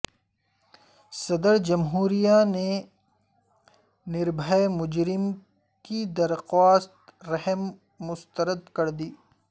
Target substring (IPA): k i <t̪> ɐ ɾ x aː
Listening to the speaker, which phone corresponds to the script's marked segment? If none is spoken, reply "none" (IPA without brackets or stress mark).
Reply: d̪